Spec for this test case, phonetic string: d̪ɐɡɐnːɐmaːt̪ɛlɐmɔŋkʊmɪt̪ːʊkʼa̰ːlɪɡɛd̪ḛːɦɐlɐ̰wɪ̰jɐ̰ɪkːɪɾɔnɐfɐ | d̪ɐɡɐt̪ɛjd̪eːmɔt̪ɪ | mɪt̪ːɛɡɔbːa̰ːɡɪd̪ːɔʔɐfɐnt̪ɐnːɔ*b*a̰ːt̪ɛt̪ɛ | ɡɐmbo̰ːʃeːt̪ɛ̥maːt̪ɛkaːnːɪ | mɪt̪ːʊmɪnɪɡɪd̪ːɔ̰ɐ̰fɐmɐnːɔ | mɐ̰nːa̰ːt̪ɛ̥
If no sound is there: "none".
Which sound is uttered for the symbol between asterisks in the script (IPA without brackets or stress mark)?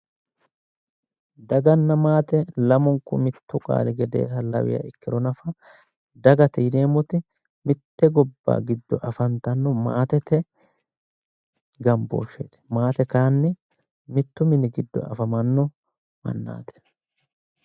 m